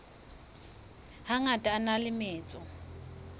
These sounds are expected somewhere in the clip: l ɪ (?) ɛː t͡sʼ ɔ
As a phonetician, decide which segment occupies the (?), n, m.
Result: m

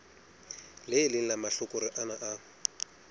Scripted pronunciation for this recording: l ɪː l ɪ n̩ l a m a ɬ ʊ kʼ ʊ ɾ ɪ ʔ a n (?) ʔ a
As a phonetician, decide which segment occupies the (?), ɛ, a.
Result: a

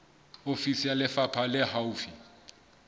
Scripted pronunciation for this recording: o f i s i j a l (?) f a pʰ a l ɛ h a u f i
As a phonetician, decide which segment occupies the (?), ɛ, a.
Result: ɛ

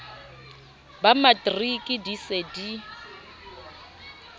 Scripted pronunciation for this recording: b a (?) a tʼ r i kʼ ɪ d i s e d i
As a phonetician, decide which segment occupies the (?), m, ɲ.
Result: m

